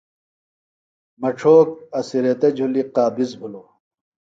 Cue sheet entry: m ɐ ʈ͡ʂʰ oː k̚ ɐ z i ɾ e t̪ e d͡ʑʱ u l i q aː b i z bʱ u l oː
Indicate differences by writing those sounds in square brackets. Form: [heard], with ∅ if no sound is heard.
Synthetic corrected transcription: m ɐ ʈ͡ʂʰ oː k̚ ɐ [s] i ɾ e t̪ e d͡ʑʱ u l i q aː b i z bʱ u l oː

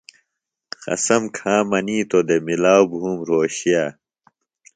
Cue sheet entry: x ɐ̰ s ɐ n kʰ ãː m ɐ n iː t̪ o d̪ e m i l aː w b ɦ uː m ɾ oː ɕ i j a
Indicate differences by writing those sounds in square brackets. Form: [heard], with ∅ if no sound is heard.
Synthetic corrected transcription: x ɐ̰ s ɐ [m] kʰ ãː m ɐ n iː t̪ o d̪ e m i l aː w b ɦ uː m ɾ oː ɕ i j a

